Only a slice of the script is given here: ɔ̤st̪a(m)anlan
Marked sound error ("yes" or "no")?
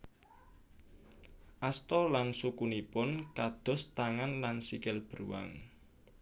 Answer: yes